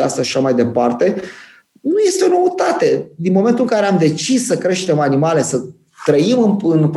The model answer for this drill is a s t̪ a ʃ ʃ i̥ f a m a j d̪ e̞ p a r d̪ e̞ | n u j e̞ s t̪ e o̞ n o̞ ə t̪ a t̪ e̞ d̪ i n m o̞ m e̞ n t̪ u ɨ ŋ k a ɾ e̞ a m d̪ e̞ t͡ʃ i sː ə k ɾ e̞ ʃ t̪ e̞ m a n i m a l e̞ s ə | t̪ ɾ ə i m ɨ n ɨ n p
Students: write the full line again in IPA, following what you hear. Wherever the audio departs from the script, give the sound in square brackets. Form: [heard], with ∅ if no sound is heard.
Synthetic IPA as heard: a s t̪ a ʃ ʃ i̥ [ʃ] a m a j d̪ e̞ p a r [t̪] e̞ | n u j e̞ s t̪ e o̞ n o̞ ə t̪ a t̪ e̞ d̪ i n m o̞ m e̞ n t̪ u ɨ ŋ k a ɾ e̞ a m d̪ e̞ t͡ʃ i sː ə k ɾ e̞ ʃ t̪ e̞ m a n i m a l e̞ s ə | t̪ ɾ ə i m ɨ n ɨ n p